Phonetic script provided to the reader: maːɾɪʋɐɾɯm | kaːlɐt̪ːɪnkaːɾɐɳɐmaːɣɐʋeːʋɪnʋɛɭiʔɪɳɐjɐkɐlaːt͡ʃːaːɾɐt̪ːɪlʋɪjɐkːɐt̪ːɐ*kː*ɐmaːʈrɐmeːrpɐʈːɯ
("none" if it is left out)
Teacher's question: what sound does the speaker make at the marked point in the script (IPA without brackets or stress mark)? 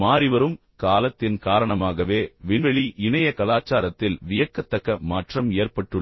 kː